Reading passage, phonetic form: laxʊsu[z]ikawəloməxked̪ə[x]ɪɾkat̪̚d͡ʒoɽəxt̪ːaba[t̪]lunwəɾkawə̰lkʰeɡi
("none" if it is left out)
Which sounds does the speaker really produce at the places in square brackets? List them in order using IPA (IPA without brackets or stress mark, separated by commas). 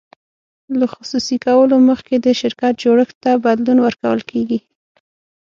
s, ʃ, d̪